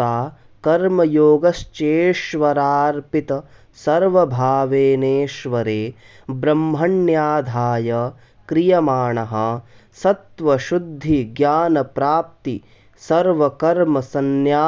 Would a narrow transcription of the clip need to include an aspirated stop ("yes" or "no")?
no